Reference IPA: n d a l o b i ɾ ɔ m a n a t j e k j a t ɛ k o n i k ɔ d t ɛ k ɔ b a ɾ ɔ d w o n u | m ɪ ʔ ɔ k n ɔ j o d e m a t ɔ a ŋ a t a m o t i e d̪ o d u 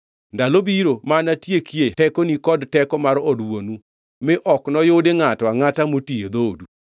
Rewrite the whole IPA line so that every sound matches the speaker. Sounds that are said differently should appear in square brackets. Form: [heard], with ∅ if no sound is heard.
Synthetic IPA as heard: n d a l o b i ɾ [o] m a n a t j e k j [e] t ɛ k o n i k ɔ d t ɛ k ɔ [m] a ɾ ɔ d w o n u | m ɪ ʔ ɔ k n ɔ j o d e [ŋ] a t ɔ a ŋ a t a m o t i e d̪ o d u